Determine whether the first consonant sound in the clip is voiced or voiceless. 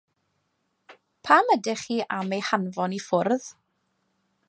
voiceless